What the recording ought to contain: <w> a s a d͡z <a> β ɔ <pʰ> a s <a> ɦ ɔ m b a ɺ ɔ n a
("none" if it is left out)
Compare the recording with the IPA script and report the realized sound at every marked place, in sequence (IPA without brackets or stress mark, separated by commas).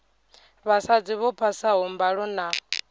β, i, pʰ, a